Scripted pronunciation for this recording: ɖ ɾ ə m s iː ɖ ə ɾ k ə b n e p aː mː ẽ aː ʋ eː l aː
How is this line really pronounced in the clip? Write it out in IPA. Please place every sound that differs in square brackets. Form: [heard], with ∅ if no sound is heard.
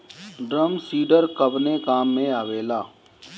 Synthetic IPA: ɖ ɾ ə m s iː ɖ ə ɾ k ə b n e [k] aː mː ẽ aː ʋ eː l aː